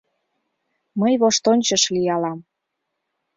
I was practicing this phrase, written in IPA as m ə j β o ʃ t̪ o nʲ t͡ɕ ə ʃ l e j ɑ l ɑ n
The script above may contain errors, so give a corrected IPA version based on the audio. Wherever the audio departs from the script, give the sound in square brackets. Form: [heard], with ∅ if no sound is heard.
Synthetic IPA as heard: m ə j β o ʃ t̪ o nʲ t͡ɕ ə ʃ l [i] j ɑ l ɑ [m]